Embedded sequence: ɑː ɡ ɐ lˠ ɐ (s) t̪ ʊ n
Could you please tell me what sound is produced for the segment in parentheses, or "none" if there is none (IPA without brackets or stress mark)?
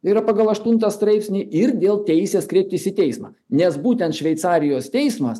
ʃ